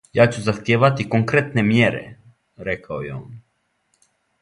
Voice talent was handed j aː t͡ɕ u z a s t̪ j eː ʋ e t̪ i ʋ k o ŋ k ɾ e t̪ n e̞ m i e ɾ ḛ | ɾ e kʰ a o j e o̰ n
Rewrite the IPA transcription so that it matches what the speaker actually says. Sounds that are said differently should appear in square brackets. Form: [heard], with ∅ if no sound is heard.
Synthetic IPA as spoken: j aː t͡ɕ u z a [x] t̪ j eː ʋ [a] t̪ i [∅] k o ŋ k ɾ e t̪ n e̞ m [j] e ɾ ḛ | ɾ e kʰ a o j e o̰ n